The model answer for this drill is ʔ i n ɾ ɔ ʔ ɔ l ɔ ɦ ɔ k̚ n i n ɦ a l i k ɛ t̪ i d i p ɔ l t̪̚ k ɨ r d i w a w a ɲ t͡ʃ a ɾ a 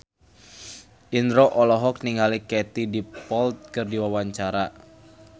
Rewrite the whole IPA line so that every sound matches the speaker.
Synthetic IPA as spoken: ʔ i n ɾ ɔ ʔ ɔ l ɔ ɦ ɔ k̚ n i ŋ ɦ a l i k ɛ t̪ i d i p ɔ l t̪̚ k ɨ r d i w a w a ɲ t͡ʃ a ɾ a